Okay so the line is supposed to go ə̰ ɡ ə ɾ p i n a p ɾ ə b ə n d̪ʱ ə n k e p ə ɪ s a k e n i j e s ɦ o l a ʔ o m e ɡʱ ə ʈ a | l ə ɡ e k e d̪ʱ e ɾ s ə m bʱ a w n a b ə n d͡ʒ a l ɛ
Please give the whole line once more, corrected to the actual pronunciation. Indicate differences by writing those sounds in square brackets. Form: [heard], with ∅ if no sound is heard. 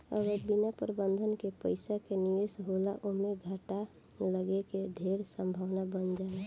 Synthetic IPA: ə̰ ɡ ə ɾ [b] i n a p ɾ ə b ə n d̪ʱ ə n k e p ə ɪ s a k e n i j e s ɦ o l a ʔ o m e ɡʱ ə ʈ a | l ə ɡ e k e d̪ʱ e ɾ s ə m bʱ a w n a b ə n d͡ʒ a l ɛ